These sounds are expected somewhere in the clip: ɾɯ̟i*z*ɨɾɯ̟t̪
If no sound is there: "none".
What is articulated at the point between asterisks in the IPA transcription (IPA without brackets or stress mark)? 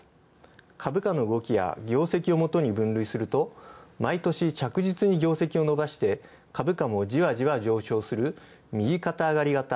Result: s